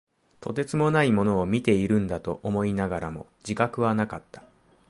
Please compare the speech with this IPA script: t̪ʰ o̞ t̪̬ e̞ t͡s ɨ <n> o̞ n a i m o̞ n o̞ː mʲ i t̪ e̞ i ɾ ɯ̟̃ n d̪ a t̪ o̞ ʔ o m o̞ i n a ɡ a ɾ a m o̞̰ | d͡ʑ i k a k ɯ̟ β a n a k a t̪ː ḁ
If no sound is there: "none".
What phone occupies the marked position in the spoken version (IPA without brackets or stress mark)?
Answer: m